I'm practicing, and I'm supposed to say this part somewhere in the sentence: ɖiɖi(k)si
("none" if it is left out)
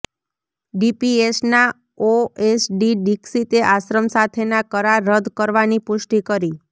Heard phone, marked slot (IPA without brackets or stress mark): k